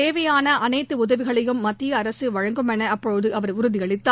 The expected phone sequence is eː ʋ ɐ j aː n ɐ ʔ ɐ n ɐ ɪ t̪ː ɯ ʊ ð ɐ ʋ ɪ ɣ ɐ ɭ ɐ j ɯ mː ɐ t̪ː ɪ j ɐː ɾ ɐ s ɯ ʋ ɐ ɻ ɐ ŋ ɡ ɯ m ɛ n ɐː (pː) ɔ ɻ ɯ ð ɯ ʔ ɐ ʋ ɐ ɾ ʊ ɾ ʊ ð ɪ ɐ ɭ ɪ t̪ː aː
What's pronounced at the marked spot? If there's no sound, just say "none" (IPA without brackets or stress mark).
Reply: pː